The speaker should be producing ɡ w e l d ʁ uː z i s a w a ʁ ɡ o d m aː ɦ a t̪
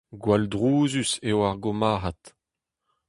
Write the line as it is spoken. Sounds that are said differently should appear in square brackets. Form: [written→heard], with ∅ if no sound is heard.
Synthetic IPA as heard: ɡ w [e→a] l d ʁ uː z [i→y] s [a→e] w a ʁ ɡ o [d→∅] m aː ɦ a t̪